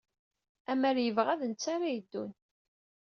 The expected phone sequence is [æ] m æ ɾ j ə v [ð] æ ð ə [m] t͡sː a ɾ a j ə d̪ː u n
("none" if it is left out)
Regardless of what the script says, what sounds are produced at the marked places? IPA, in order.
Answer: æ, ʁ, n

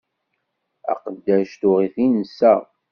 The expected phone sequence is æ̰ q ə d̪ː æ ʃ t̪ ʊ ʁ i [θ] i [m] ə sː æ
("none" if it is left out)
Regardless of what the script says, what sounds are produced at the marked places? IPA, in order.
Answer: θ, n

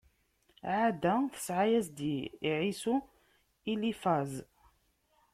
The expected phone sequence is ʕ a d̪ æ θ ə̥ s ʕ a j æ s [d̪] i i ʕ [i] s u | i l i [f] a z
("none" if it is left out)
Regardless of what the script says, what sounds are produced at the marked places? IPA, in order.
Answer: d̪, i, f

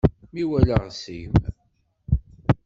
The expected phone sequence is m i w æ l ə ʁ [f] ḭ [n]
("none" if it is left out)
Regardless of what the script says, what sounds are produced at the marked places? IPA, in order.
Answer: s, m

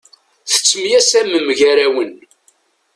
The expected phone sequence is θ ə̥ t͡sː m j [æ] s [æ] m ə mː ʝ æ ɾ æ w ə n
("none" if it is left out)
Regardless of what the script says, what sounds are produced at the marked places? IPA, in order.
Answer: æ, æ

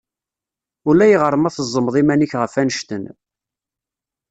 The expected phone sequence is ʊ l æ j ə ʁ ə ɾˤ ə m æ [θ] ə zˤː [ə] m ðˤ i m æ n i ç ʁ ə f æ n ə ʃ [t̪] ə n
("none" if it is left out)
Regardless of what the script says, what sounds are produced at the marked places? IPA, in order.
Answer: θ, ə, t̪

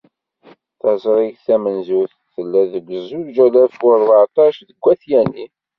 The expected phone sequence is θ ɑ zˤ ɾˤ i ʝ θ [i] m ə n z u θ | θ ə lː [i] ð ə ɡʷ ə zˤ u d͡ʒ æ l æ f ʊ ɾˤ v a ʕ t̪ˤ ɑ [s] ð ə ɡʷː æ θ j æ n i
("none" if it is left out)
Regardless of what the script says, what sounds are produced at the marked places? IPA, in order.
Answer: æ, æ, ʃ

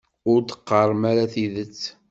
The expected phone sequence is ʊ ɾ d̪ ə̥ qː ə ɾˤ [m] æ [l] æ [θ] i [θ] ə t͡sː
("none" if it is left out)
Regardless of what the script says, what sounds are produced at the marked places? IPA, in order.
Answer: m, ɾ, θ, ð

